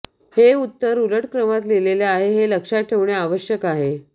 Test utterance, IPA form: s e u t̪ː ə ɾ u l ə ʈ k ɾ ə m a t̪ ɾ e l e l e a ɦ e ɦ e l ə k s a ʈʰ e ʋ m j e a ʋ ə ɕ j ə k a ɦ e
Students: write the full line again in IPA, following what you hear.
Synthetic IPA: h e u t̪ː ə ɾ u l ə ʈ k ɾ ə m a t̪ l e l e l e a ɦ e ɦ e l ə k ʂ a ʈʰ e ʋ ɳ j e a ʋ ə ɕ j ə k a ɦ e

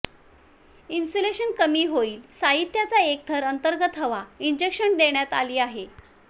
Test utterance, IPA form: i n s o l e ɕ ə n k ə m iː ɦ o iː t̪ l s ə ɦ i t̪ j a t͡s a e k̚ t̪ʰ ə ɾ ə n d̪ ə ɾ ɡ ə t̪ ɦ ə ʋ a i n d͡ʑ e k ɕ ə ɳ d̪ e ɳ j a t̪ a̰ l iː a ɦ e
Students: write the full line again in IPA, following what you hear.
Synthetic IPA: i n s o l e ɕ ə n k ə m iː ɦ o iː l s a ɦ i t̪ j a t͡s a e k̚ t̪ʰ ə ɾ ə n t̪ ə ɾ ɡ ə t̪ ɦ ə ʋ a i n d͡ʑ e k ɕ ə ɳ d̪ e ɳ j a t̪ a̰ l iː a ɦ e

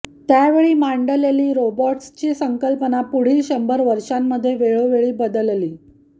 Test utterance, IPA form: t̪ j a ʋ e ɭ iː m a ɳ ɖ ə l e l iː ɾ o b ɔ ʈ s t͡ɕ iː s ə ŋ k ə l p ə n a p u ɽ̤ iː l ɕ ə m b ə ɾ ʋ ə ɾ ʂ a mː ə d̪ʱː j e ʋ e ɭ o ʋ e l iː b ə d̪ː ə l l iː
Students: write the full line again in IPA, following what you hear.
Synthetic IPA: t̪ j a ʋ e ɭ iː m a ɳ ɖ ə l e l iː ɾ o b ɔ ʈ s t͡ɕ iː s ə ŋ k ə l p ə n a p u ɽ̤ iː l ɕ ə m b ə ɾ ʋ ə ɾ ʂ a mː ə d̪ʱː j e ʋ e ɭ o ʋ e ɭ iː b ə d̪ ə l l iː

